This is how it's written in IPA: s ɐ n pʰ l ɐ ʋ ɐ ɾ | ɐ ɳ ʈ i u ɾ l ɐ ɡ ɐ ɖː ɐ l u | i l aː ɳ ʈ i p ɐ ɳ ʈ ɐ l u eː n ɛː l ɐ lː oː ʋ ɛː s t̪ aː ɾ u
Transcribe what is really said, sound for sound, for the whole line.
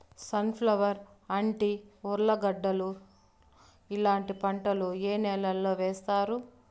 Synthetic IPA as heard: s ɐ n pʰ l ɐ ʋ ɐ ɾ | ɐ ɳ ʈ i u ɾ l ɐ ɡ ɐ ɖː ɐ l u | i l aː ɳ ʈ i p ɐ ɳ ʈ ɐ l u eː n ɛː l ɐ lː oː ʋ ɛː s t̪ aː ɾ u